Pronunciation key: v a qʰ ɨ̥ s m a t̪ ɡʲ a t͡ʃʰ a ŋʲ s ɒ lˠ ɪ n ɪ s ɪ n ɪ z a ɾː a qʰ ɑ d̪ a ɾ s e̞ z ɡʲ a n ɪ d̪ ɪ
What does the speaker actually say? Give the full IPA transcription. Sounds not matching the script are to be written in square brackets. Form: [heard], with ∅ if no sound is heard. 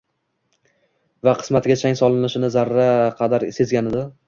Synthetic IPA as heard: v a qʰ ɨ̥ s m a t̪ ɡʲ a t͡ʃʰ a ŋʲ s ɒ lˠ ɪ n ɪ [ʃ] ɪ n ɪ z a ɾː a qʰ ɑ d̪ a ɾ s e̞ z ɡʲ a n ɪ d̪ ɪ